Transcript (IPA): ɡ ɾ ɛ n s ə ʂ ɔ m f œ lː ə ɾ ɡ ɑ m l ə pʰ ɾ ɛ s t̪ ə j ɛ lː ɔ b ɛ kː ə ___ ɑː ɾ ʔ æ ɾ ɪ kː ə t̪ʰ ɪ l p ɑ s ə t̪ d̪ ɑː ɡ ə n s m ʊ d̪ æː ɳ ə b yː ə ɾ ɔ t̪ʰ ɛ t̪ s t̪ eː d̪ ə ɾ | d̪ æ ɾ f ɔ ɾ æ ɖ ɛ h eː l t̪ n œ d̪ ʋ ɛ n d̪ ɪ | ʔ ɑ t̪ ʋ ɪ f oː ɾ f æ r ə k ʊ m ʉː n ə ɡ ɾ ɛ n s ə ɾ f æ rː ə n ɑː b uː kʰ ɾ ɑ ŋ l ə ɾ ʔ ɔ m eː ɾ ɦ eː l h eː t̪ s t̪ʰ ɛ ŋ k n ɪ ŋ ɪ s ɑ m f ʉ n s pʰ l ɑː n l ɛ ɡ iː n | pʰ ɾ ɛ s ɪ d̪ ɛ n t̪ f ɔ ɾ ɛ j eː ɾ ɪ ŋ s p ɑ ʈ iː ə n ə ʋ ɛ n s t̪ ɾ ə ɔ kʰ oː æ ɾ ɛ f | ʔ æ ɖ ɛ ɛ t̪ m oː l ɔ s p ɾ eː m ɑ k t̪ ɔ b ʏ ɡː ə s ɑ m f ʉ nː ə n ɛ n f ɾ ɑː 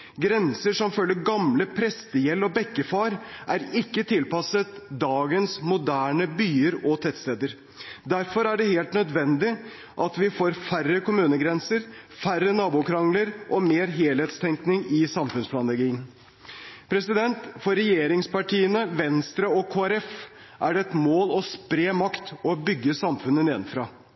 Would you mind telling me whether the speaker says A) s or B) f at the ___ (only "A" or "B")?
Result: B